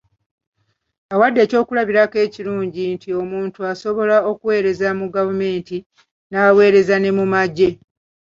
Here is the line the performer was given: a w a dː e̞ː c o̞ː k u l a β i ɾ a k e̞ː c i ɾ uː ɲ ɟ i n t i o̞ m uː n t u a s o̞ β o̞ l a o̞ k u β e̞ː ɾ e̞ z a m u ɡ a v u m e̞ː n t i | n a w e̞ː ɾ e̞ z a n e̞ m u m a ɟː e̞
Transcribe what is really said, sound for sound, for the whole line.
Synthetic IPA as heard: a w a dː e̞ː c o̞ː k u l a β i ɾ a k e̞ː c i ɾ uː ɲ ɟ i n t i o̞ m uː n t u a s o̞ β o̞ l a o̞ k u w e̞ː ɾ e̞ z a m u ɡ a v u m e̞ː n t i | n a w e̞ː ɾ e̞ z a n e̞ m u m a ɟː e̞